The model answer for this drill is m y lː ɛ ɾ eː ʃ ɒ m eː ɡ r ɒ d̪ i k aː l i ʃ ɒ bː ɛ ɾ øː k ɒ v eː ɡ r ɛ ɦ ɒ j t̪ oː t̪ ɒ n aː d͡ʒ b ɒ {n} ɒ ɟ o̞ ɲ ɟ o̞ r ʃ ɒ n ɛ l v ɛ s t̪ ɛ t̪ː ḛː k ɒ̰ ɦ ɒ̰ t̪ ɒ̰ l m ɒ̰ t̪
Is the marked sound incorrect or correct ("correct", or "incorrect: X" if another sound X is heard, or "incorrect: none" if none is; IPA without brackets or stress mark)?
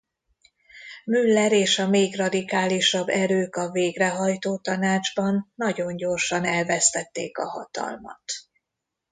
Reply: incorrect: nː